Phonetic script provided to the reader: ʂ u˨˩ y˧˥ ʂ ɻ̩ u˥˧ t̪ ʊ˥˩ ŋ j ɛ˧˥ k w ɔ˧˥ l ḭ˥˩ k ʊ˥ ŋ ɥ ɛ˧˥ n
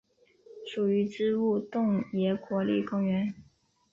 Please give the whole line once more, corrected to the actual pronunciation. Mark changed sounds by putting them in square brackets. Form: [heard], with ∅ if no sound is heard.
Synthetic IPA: ʂ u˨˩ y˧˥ [ʈ͡ʂ] ɻ̩ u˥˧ t̪ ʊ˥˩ ŋ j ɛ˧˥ k w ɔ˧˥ l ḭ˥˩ k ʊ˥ ŋ ɥ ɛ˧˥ n